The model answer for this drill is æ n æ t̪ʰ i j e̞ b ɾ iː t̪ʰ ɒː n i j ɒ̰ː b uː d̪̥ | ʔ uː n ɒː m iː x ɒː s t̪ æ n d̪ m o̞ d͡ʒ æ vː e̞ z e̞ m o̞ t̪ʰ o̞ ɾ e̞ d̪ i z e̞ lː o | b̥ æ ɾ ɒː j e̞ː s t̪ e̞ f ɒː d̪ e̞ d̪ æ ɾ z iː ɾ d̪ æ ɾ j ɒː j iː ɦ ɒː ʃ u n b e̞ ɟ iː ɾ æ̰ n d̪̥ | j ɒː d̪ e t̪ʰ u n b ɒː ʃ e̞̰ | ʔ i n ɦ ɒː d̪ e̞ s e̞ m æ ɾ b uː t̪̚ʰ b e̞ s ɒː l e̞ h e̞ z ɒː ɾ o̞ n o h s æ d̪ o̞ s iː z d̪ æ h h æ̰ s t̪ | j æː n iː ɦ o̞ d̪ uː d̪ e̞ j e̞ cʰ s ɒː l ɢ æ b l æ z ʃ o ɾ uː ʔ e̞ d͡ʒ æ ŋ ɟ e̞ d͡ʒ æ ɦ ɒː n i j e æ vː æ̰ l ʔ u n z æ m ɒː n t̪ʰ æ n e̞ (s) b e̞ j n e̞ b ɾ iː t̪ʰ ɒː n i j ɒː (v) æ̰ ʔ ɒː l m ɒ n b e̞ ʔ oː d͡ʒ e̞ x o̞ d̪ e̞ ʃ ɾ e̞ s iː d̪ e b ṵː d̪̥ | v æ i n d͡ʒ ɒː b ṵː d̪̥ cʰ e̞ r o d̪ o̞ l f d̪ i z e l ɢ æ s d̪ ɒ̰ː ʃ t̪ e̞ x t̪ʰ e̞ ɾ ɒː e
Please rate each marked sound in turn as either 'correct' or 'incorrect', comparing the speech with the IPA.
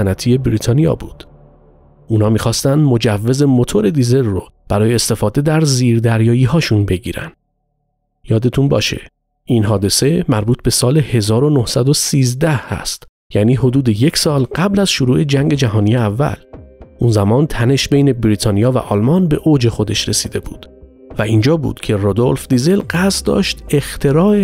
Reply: incorrect: ʃ, correct

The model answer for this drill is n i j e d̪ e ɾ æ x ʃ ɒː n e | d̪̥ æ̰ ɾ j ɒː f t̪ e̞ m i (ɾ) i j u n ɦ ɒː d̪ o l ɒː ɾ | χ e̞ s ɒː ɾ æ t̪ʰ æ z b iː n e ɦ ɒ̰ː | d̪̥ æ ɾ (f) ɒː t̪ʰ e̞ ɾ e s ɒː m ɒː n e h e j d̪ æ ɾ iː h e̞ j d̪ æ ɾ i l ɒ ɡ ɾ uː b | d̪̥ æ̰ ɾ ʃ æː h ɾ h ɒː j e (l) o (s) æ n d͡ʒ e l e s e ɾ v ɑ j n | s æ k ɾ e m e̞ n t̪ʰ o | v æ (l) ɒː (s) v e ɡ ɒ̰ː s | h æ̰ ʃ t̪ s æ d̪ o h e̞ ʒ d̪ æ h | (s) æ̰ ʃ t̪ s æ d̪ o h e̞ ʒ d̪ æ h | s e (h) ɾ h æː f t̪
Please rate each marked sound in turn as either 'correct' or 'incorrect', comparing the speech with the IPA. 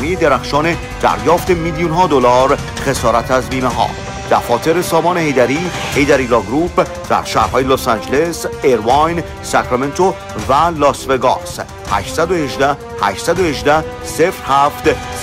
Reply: incorrect: l, correct, correct, correct, correct, correct, incorrect: h, incorrect: f

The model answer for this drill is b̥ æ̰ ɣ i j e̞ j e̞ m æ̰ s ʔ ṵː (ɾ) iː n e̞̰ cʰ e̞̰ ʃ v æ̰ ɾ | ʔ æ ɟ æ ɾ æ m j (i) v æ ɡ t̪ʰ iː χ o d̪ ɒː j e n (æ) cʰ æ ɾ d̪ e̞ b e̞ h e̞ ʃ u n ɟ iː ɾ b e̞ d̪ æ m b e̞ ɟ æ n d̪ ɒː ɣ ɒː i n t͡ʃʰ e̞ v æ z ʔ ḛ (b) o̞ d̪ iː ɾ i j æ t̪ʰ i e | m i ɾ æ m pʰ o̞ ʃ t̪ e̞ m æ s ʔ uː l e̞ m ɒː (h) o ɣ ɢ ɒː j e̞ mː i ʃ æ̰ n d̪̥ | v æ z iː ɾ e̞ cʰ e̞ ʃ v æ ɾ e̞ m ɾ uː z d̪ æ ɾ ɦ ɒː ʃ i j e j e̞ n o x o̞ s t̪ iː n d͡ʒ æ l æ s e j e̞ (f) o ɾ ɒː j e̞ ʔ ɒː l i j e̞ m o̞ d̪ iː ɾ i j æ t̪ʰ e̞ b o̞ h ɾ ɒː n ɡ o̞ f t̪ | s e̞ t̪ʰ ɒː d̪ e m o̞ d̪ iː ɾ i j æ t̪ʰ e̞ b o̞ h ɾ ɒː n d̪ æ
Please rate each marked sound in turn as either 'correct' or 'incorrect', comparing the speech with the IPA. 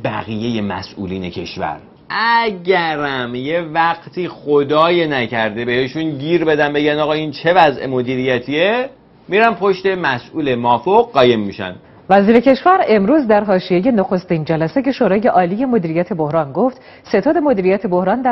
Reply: incorrect: l, incorrect: e, correct, incorrect: m, incorrect: f, incorrect: ʃ

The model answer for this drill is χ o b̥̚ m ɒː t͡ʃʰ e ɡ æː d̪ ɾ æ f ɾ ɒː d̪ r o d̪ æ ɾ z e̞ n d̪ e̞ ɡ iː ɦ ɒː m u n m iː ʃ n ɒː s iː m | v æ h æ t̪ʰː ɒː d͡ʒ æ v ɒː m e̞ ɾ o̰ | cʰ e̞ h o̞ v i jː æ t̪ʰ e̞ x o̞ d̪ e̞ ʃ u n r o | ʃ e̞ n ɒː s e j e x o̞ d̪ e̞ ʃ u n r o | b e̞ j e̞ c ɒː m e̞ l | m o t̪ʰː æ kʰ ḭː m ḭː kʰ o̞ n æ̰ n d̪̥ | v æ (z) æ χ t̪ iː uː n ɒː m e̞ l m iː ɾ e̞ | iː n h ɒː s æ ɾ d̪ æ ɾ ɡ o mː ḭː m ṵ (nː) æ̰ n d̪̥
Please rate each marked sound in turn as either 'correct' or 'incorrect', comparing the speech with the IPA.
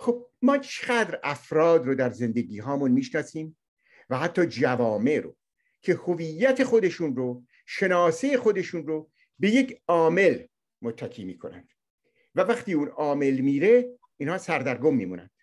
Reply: incorrect: v, incorrect: n

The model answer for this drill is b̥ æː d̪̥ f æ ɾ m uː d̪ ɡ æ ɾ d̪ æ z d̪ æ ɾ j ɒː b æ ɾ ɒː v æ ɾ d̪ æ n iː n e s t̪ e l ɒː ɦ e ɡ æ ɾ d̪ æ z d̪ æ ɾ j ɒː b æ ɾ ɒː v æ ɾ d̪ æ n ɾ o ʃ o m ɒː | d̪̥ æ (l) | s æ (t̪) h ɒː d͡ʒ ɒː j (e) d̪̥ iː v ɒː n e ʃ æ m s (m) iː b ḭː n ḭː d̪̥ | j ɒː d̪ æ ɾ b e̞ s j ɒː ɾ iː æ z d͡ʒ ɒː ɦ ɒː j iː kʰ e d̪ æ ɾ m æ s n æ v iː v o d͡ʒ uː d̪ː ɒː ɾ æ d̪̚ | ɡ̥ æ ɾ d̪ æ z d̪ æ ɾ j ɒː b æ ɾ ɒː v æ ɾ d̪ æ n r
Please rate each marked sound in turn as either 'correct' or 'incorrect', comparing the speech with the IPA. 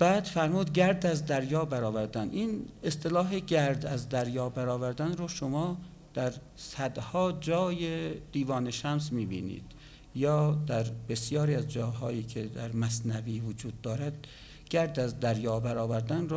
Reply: incorrect: ɾ, incorrect: d̪, correct, correct

